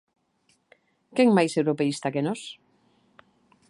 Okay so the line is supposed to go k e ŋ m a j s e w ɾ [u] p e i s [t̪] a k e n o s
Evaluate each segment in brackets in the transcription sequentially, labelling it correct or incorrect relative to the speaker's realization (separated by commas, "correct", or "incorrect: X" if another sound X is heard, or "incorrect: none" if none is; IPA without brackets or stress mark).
incorrect: o, correct